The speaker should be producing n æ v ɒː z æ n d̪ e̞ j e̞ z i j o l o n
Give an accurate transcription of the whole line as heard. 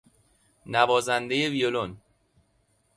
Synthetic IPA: n æ v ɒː z æ n d̪ e̞ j e̞ v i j o l o n